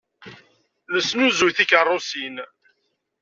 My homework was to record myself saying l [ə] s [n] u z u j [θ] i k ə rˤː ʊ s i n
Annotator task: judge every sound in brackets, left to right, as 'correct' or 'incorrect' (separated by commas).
correct, correct, correct